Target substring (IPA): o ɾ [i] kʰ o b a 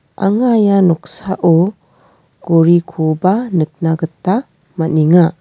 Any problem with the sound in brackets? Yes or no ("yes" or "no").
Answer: no